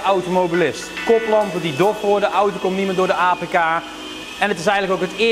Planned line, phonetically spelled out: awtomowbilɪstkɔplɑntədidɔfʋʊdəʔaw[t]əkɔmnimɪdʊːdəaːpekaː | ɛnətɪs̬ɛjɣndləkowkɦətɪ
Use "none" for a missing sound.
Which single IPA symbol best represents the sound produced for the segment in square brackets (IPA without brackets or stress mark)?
t